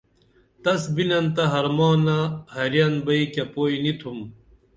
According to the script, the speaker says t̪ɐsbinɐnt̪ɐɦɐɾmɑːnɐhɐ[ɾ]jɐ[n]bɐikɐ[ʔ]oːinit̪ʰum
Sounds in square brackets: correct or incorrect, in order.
correct, correct, incorrect: p

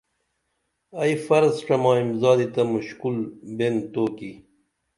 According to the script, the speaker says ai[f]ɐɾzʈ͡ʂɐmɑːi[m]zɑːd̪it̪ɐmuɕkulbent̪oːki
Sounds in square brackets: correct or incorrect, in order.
correct, correct

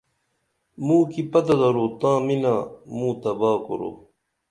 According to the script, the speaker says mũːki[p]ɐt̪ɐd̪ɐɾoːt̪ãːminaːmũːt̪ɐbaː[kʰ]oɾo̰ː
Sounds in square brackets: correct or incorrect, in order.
correct, incorrect: k

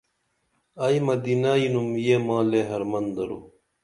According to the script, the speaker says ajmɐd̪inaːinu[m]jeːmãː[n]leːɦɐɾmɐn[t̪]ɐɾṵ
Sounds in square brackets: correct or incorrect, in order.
correct, incorrect: none, incorrect: d̪

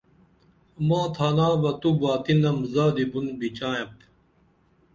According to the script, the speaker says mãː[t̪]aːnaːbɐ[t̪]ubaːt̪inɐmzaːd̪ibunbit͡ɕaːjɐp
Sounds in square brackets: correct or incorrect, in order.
incorrect: t̪ʰ, correct

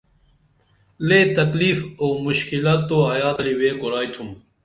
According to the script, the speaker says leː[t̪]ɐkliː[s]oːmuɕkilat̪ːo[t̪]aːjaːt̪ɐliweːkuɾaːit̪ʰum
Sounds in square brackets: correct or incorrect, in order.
correct, incorrect: f, incorrect: none

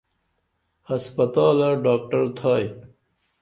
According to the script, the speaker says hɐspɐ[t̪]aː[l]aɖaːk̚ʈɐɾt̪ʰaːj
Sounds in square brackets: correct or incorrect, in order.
correct, correct

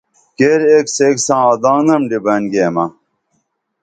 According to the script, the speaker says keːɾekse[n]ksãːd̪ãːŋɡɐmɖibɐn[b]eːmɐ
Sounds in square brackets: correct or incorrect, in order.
incorrect: none, incorrect: ɡ

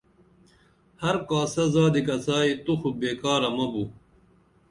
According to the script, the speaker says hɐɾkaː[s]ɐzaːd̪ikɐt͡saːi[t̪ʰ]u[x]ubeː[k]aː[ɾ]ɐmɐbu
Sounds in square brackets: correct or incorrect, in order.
correct, incorrect: t̪, correct, correct, correct

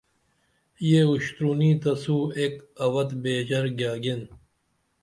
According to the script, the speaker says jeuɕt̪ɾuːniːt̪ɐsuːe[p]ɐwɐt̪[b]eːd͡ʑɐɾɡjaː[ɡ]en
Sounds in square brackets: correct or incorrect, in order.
incorrect: k, correct, correct

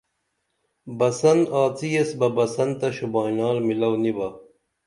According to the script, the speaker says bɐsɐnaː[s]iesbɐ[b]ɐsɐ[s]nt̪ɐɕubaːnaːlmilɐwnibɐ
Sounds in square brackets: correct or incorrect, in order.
incorrect: t͡s, correct, incorrect: none

